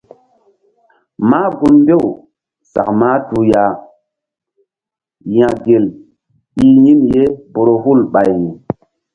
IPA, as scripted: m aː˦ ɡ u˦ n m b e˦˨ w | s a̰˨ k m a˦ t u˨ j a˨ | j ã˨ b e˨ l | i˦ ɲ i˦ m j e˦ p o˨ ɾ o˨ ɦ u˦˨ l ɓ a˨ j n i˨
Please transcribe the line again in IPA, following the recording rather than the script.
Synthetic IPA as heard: m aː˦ ɡ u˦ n m b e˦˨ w | s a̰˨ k m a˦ t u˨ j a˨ | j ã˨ ɡ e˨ l | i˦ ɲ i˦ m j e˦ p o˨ ɾ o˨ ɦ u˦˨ l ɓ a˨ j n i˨

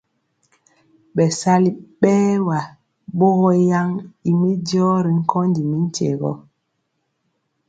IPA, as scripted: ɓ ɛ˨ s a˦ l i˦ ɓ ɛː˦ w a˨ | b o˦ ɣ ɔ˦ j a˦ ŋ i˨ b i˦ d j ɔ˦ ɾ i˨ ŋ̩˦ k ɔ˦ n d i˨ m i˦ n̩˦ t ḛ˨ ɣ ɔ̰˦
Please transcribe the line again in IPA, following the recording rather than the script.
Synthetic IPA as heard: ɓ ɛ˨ s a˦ l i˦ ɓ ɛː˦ w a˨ | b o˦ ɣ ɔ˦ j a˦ ŋ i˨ m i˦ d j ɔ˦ ɾ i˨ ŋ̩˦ k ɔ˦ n d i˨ m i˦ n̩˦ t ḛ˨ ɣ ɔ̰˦

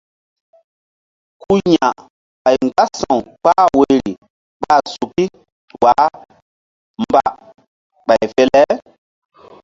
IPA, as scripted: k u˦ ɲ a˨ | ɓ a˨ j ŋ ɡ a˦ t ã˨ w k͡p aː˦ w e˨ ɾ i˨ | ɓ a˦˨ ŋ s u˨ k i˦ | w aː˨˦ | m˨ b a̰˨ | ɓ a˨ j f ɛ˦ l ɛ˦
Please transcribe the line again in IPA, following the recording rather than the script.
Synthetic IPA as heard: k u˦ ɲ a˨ | ɓ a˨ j ŋ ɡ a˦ s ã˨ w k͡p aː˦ w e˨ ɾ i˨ | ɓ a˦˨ s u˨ k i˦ | w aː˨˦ | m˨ b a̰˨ | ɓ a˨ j f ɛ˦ l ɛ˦

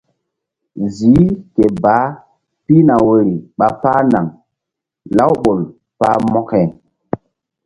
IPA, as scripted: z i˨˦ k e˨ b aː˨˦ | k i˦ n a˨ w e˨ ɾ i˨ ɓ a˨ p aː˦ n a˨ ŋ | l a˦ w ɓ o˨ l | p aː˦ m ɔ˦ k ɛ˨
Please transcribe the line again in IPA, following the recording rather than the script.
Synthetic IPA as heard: z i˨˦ k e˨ b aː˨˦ | p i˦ n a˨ w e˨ ɾ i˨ ɓ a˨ p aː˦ n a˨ ŋ | l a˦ w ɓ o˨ l | p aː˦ m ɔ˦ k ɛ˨

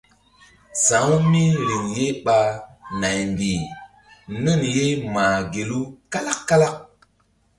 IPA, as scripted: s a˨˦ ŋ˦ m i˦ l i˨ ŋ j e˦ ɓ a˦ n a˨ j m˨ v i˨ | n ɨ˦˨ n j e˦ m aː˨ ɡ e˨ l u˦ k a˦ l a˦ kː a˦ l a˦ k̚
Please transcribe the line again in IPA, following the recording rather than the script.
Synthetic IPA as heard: s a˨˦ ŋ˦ m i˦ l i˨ ŋ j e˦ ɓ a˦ n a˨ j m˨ b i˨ | n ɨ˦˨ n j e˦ m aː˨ ɡ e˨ l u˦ k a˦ l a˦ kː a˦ l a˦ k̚

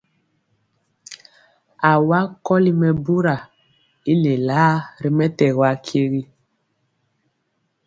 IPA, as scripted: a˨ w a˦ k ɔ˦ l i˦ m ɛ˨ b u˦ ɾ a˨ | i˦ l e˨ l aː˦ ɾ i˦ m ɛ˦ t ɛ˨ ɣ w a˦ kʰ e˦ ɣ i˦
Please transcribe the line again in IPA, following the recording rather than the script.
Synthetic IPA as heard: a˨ w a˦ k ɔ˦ l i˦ m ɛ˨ b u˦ ɾ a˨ | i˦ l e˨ l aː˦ ɾ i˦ m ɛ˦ t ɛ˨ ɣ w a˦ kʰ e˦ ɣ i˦

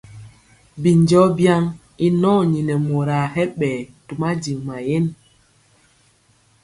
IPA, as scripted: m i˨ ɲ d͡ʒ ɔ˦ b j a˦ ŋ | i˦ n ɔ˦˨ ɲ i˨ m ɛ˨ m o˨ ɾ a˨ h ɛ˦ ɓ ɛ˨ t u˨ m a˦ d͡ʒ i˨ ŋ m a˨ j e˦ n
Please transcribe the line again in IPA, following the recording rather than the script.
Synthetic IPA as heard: b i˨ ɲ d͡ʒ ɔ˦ b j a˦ ŋ | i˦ n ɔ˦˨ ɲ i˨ n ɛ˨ m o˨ ɾ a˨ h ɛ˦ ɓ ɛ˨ t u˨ m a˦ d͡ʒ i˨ ŋ m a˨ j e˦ n

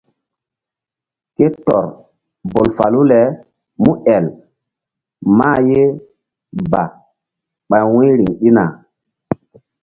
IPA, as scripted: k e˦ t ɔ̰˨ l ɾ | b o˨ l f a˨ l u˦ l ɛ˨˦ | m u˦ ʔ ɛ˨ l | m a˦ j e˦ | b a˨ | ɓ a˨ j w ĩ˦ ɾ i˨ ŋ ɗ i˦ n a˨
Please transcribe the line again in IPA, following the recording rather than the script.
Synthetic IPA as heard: k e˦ t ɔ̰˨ ɾ | b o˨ l f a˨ l u˦ l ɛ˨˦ | m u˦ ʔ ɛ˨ l | m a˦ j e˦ | b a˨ | ɓ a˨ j w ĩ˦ ɾ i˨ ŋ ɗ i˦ n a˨

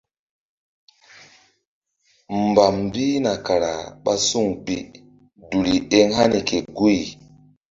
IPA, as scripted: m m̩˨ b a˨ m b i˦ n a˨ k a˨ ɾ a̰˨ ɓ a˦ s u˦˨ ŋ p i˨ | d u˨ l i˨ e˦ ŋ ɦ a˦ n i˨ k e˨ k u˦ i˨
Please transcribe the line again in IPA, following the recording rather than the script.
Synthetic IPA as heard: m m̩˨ b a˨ m b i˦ n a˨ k a˨ ɾ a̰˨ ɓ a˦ s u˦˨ ŋ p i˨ | d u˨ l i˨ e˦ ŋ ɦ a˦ n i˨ k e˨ ɡ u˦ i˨

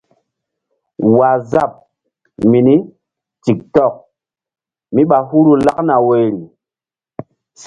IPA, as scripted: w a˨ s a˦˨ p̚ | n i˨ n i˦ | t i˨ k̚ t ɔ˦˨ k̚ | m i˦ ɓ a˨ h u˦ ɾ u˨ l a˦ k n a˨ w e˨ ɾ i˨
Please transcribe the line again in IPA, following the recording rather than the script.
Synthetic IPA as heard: w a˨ z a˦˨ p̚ | m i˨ n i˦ | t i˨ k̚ t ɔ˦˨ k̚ | m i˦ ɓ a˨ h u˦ ɾ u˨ l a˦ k n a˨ w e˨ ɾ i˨

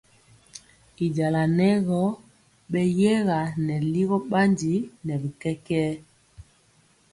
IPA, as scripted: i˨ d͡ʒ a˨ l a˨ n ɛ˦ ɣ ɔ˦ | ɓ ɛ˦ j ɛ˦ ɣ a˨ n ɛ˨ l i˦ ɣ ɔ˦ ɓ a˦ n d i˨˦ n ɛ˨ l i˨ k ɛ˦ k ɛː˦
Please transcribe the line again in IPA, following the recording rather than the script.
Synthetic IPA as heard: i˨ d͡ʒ a˨ l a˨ n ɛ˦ ɣ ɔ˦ | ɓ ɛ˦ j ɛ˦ ɣ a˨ n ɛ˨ l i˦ ɣ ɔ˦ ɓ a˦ n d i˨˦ n ɛ˨ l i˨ k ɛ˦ k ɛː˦

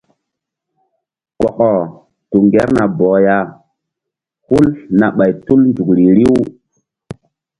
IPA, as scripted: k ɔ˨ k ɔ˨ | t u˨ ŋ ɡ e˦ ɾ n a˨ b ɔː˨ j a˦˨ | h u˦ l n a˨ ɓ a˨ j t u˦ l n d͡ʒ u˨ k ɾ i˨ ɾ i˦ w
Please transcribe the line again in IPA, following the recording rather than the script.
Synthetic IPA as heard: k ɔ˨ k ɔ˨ | t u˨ ŋ ɡ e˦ ɾ n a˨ b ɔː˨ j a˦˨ | h u˦ l n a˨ ɓ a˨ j t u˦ l n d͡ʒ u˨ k ɾ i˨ ɾ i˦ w

